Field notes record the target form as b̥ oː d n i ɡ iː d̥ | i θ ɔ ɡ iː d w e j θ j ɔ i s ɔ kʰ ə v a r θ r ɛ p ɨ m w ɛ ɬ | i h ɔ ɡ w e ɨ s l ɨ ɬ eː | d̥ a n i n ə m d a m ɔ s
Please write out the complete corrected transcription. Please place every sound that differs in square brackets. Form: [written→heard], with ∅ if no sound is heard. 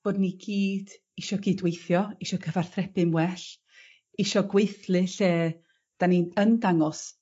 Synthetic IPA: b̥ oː d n i ɡ iː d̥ | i [θ→ʃ] ɔ ɡ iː d w e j θ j ɔ i [s→ʃ] ɔ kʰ ə v a r θ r ɛ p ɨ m w ɛ ɬ | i [h→ʃ] ɔ ɡ w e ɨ [s→θ] l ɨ ɬ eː | d̥ a n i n ə [m→n] d a [m→ŋ] ɔ s